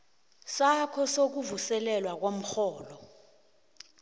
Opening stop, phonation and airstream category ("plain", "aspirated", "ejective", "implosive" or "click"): aspirated